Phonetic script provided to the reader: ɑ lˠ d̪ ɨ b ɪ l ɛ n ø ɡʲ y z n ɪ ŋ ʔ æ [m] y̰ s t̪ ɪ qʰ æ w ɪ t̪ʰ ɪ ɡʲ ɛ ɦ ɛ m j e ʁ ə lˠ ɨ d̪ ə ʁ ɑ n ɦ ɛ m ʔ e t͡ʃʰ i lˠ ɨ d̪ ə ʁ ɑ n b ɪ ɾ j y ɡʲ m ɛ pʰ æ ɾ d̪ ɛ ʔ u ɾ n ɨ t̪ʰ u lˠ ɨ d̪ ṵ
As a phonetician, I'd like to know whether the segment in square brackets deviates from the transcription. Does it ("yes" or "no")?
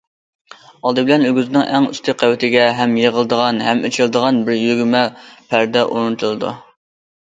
yes